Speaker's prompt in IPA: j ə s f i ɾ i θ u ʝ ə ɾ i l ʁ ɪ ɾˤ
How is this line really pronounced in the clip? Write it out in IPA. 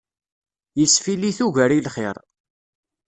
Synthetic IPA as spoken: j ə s f i l i θ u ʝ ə ɾ i l χ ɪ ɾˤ